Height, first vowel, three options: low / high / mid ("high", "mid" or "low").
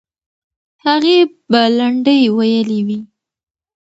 low